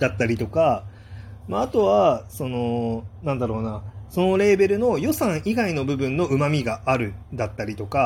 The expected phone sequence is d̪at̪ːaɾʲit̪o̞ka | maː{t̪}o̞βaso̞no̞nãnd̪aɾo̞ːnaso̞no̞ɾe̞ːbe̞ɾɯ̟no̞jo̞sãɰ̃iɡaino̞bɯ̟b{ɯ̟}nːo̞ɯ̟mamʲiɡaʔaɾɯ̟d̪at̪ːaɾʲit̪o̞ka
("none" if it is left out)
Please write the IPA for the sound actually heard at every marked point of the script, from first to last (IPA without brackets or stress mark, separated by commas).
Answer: t̪, ɯ̟̃